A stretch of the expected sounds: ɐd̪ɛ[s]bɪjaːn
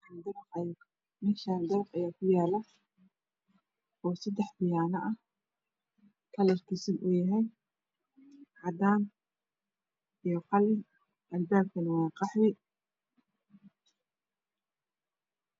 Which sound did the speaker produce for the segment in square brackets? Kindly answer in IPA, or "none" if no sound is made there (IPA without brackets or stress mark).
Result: ħ